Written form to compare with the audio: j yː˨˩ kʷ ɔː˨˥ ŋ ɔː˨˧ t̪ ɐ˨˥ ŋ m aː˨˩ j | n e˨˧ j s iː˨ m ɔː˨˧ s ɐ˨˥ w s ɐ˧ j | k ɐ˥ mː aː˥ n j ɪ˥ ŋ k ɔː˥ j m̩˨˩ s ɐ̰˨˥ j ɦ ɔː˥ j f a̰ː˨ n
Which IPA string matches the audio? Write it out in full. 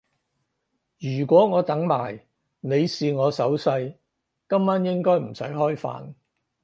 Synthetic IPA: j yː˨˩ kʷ ɔː˨˥ ŋ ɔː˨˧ t̪ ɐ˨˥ ŋ m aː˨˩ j | n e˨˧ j s iː˨ ŋ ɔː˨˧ s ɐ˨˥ w s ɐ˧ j | k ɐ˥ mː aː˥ n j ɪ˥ ŋ k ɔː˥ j m̩˨˩ s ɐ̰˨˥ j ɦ ɔː˥ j f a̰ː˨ n

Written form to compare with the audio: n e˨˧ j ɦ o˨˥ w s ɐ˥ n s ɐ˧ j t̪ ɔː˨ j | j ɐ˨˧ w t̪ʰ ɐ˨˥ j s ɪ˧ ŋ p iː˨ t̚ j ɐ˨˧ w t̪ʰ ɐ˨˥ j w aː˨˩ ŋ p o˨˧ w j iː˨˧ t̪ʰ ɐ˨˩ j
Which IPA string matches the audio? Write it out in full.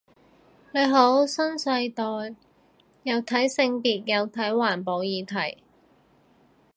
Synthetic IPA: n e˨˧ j ɦ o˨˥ w s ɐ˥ n s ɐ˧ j t̪ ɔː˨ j | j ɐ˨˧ w t̪ʰ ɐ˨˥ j s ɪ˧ ŋ p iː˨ t̚ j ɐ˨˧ w t̪ʰ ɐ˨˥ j w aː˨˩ n p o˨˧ w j iː˨˧ t̪ʰ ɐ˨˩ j

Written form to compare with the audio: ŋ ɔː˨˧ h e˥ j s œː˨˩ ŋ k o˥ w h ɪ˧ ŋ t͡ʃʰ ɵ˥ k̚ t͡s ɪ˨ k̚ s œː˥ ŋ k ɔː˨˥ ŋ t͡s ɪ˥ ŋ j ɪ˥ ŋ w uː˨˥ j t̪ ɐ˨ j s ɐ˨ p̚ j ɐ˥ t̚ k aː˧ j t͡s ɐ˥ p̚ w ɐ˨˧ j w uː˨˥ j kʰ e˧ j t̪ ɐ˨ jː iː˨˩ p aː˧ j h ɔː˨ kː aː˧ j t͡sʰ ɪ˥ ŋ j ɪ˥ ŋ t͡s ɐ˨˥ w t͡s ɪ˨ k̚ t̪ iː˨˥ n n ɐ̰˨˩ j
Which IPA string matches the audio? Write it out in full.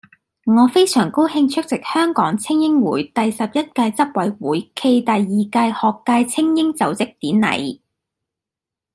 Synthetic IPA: ŋ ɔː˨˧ f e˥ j s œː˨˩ ŋ k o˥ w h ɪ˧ ŋ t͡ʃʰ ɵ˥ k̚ t͡s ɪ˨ k̚ h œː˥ ŋ k ɔː˨˥ ŋ t͡sʰ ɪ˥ ŋ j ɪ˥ ŋ w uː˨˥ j t̪ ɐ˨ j s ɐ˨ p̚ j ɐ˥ t̚ k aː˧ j t͡s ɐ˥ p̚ w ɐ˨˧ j w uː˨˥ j kʰ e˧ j t̪ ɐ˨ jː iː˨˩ k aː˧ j h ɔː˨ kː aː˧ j t͡sʰ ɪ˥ ŋ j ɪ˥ ŋ t͡s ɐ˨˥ w t͡s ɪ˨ k̚ t̪ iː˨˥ n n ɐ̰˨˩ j

